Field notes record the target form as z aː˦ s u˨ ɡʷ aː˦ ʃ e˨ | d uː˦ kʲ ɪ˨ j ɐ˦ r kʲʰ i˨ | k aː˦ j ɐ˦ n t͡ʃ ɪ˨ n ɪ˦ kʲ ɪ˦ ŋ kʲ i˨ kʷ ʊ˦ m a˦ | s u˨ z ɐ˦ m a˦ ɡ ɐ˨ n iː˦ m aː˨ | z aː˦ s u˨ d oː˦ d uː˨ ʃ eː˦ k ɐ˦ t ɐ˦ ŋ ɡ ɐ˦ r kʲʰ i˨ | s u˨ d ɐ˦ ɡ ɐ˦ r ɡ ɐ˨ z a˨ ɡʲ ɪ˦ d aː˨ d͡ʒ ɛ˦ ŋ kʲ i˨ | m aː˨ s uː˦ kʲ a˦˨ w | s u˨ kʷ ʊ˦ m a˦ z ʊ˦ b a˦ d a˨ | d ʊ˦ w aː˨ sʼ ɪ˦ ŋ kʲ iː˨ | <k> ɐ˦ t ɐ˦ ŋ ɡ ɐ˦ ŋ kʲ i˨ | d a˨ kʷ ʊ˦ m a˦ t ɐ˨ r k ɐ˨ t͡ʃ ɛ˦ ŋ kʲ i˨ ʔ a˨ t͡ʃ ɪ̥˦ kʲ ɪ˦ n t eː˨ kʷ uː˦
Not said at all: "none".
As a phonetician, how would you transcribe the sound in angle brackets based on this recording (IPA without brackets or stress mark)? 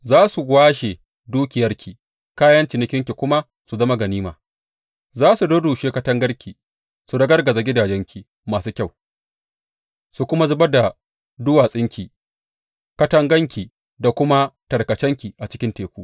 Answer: k